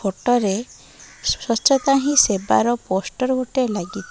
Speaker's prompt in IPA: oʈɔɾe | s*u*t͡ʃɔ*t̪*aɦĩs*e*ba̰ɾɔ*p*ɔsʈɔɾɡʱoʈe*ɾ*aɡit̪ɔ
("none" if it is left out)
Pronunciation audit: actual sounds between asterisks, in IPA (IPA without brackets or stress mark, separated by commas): ɔ, t̪, e, p, l